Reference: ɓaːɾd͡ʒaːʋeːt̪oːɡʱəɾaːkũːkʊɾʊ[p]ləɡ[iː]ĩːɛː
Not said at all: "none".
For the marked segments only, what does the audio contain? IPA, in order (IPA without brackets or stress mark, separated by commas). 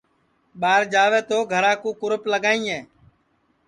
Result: p, aː